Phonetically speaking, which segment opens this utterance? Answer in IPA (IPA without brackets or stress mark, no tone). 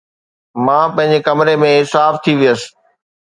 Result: m